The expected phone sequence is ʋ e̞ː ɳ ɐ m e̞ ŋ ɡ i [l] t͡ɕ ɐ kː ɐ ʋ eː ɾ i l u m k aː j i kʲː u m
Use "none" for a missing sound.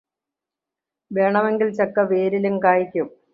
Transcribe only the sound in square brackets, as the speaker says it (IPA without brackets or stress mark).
l